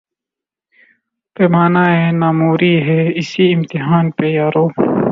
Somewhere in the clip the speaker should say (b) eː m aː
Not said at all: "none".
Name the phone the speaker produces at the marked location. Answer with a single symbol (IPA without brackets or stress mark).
p